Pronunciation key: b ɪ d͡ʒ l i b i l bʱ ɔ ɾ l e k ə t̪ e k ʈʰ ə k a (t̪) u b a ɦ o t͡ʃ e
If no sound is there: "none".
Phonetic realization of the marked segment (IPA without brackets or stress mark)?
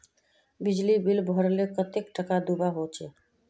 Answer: d̪